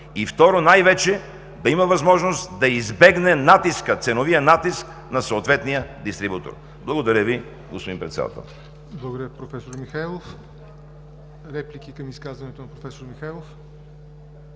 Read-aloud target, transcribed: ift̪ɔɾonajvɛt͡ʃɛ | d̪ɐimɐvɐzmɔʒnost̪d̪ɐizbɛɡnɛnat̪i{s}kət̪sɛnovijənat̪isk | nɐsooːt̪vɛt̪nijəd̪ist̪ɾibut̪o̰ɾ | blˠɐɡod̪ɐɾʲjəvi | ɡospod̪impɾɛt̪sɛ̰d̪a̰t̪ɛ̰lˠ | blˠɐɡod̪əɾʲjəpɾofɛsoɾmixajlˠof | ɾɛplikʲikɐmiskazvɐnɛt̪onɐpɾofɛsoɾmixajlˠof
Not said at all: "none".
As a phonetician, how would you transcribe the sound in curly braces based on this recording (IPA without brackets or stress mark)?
s